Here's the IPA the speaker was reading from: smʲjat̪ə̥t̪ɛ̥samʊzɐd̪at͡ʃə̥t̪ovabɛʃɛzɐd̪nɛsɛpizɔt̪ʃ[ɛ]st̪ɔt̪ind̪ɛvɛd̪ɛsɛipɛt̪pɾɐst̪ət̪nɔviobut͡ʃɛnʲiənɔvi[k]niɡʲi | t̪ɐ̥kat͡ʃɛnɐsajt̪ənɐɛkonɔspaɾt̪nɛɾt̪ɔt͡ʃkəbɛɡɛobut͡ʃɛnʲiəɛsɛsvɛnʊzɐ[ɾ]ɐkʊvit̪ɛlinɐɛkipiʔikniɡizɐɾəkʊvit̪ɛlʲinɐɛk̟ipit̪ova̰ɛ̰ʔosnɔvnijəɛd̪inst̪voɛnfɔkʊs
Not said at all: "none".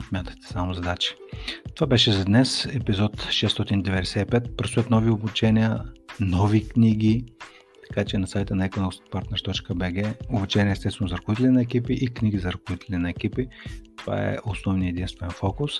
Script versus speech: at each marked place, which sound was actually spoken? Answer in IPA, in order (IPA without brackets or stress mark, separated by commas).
ɛ, k, ɾ